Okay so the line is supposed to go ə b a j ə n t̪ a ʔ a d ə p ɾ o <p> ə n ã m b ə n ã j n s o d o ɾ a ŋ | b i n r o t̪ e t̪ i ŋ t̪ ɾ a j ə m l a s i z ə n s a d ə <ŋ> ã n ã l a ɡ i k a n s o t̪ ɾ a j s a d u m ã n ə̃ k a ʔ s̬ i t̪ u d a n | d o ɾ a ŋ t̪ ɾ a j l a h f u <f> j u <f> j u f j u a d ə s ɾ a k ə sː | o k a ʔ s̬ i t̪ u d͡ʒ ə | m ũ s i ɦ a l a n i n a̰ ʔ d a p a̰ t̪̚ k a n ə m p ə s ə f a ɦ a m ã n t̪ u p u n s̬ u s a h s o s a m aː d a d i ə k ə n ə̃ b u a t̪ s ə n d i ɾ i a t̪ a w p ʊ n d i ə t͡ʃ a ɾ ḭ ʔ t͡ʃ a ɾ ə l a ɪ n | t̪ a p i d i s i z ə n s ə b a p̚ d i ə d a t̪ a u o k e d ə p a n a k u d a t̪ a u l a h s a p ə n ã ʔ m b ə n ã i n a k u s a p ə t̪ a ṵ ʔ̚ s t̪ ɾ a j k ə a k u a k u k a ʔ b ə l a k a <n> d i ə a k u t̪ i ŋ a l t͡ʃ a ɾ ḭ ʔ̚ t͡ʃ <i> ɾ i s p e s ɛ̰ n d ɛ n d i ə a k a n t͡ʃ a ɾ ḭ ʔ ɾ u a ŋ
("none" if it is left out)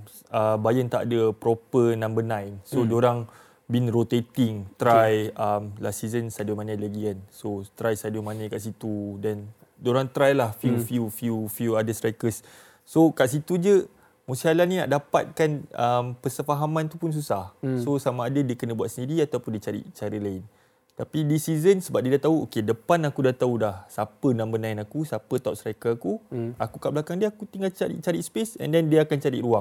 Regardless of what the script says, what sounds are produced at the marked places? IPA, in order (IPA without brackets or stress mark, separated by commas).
p, m, f, f, ŋ, a